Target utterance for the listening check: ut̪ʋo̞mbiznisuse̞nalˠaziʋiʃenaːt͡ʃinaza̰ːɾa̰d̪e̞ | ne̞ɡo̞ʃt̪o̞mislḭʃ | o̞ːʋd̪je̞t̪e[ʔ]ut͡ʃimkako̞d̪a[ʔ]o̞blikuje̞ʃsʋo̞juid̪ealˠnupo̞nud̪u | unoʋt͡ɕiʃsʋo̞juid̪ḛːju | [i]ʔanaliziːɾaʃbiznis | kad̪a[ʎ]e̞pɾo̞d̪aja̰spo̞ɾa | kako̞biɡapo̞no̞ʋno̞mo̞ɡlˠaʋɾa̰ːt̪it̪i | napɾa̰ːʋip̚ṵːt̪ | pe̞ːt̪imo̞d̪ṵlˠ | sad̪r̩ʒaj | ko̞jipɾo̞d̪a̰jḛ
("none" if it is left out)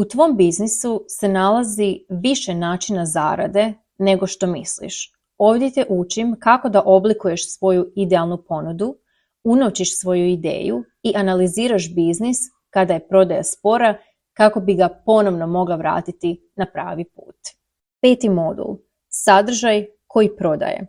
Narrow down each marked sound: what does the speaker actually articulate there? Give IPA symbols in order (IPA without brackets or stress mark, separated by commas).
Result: ʔ, ʔ, i, j